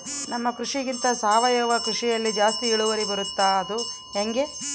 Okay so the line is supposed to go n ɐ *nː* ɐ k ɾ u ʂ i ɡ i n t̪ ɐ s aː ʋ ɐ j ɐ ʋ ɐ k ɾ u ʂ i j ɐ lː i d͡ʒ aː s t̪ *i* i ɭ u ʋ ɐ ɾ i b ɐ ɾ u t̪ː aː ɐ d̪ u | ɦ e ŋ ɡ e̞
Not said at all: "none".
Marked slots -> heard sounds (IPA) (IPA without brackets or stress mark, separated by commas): mː, i